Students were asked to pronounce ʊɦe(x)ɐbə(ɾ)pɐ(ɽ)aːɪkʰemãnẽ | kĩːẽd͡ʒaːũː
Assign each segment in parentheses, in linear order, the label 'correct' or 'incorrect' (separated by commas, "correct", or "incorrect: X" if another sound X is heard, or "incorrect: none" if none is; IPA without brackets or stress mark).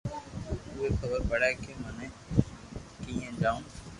correct, correct, correct